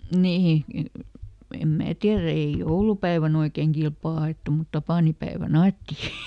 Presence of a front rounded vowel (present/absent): absent